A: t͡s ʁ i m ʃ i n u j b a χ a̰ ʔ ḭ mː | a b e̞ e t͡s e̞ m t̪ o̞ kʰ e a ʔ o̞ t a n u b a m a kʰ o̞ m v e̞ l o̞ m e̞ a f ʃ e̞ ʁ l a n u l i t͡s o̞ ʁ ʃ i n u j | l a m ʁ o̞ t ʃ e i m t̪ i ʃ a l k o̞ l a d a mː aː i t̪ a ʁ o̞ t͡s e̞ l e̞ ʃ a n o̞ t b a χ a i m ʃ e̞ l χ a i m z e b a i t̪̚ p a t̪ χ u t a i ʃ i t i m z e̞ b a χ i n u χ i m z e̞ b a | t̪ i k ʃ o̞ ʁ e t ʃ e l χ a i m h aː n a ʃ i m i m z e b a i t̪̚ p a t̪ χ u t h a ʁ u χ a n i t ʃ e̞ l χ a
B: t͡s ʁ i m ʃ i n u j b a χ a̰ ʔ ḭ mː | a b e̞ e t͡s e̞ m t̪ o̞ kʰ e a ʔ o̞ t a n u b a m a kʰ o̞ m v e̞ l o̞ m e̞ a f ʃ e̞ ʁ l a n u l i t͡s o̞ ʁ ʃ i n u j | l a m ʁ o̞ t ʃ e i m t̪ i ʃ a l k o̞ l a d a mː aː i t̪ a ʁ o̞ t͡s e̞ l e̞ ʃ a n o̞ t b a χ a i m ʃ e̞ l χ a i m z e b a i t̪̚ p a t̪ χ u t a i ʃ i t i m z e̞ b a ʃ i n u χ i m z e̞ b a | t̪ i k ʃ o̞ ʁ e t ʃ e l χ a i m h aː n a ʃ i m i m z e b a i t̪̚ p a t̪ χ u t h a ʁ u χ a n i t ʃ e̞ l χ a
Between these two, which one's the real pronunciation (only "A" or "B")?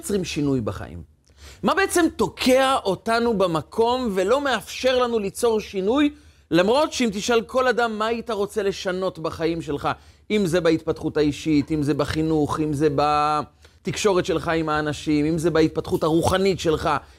A